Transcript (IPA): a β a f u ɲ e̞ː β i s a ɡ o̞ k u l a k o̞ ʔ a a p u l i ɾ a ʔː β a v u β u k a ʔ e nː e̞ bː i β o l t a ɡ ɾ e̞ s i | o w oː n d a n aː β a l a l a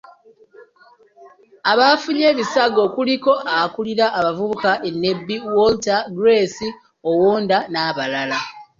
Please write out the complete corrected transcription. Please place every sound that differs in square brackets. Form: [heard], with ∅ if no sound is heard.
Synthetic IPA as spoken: a β a f u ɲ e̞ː β i s a ɡ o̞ k u l [i] k o̞ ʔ a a [k] u l i ɾ a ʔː β a v u β u k a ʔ e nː e̞ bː i [w] o l t a ɡ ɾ e̞ s i | o w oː n d a n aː β a l a l a